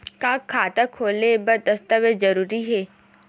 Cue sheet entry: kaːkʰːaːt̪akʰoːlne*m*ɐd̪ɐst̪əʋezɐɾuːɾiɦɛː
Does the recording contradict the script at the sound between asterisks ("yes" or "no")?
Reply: yes